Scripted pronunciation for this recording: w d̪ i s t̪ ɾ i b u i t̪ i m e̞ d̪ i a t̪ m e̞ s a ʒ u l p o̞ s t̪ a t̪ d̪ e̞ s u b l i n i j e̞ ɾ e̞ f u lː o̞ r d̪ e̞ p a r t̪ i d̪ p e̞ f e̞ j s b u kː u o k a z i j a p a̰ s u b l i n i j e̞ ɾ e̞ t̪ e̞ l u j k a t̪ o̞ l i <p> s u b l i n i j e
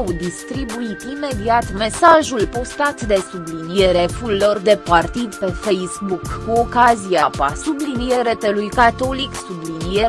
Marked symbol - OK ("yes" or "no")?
no